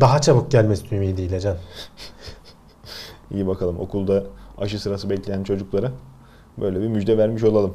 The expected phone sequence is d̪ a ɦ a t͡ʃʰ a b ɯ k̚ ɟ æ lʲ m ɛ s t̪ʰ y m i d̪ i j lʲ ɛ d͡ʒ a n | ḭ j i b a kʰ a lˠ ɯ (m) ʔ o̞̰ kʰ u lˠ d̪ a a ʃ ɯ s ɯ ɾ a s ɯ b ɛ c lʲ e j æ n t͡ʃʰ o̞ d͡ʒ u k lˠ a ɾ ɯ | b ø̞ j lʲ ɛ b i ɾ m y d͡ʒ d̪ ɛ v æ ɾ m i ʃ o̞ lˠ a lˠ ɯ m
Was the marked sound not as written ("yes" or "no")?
no